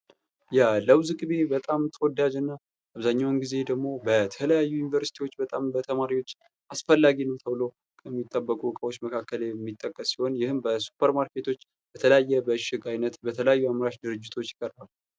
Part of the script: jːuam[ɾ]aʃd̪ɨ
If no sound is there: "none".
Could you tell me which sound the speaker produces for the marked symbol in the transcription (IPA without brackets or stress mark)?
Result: ɾ